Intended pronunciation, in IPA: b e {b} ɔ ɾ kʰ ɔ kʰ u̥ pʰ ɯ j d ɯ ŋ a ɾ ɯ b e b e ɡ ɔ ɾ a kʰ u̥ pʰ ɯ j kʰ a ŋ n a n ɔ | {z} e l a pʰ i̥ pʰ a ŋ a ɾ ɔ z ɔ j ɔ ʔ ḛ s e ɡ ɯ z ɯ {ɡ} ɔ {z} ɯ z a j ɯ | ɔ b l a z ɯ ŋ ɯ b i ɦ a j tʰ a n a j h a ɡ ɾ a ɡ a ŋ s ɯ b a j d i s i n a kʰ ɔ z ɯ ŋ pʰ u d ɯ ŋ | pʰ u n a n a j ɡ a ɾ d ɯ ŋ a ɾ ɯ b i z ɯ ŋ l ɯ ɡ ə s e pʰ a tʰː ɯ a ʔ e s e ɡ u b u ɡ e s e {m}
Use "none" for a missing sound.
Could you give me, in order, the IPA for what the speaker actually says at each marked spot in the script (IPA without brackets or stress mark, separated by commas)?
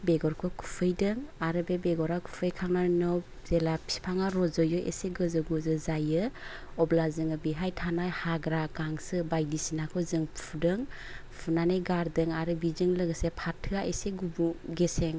ɡ, z, ɡ, z, ŋ